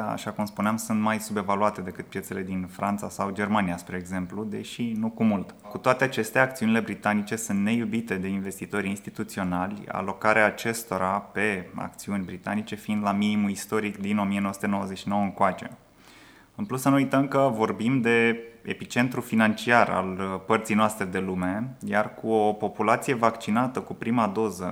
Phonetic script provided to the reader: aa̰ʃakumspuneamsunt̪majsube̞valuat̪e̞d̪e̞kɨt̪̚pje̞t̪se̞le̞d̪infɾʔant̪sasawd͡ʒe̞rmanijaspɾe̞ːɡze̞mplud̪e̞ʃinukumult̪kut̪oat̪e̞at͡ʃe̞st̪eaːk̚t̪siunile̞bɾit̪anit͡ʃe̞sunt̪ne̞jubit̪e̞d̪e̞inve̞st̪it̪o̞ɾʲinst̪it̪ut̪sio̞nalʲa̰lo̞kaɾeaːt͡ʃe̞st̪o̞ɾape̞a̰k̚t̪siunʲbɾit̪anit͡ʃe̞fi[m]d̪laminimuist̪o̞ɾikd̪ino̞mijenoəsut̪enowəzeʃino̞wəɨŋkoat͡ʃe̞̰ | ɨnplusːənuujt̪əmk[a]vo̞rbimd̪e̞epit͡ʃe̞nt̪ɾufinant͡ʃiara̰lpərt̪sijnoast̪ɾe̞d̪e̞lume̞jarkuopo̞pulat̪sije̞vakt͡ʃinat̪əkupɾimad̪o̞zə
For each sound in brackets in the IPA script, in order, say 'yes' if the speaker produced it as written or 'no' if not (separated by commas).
no, no